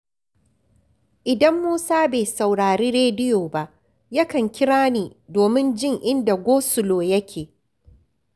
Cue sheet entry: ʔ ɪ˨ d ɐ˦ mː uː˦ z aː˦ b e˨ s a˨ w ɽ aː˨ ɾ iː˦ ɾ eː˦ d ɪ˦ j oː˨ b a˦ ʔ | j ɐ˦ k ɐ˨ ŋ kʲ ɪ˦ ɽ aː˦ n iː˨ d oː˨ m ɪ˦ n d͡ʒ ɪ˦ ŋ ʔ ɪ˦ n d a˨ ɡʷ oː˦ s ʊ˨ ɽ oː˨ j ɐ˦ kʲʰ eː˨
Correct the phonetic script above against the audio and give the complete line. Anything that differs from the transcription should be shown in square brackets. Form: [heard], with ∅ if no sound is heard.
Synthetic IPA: ʔ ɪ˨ d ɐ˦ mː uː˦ [s] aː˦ b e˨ s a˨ w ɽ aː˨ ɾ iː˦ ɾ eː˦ d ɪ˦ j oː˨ b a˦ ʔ | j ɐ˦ k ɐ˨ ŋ kʲ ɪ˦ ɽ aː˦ n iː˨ d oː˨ m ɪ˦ n d͡ʒ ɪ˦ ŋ ʔ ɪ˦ n d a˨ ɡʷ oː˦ s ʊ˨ [l] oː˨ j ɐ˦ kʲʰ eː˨